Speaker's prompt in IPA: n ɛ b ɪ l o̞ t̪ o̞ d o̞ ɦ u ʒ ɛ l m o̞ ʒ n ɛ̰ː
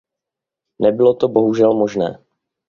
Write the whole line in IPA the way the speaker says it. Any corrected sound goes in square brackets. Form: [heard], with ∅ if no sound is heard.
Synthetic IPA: n ɛ b ɪ l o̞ t̪ o̞ [b] o̞ ɦ u ʒ ɛ l m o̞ ʒ n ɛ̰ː